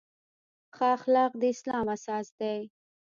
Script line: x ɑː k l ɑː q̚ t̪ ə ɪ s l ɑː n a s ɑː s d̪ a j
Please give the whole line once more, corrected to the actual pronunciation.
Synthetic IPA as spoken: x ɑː x l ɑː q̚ d̪ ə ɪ s l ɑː m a s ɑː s d̪ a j